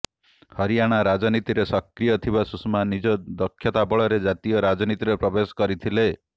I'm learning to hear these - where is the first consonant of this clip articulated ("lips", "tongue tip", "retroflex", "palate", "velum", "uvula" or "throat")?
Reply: throat